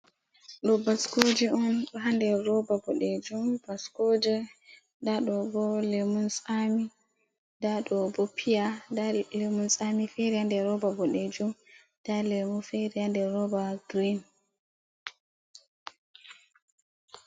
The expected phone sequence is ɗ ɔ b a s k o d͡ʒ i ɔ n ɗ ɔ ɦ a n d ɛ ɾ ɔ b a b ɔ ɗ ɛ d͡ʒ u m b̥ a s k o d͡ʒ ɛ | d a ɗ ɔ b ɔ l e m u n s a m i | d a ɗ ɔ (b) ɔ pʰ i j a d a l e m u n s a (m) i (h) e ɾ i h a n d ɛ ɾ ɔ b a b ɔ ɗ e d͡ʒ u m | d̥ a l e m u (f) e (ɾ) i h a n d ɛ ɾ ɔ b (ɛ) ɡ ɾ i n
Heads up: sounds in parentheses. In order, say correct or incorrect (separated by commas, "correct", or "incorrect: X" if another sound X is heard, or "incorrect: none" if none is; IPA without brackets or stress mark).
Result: correct, correct, incorrect: f, correct, correct, incorrect: a